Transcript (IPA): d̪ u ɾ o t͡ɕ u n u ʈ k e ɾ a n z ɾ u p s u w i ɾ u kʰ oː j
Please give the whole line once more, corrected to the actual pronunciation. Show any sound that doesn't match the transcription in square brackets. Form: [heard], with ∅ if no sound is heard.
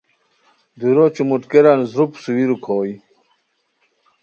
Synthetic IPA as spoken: d̪ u ɾ o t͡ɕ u [m] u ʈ k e ɾ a n z ɾ u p s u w i ɾ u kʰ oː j